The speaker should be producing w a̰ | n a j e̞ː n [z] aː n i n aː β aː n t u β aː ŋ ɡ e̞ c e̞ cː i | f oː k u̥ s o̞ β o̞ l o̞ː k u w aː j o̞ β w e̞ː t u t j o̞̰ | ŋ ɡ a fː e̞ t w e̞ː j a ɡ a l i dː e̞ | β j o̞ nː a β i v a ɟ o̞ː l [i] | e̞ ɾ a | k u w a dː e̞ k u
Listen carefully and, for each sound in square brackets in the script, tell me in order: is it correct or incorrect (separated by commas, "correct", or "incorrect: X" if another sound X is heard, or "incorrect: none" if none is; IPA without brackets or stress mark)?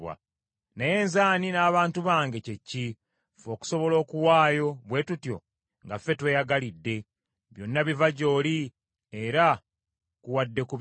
correct, correct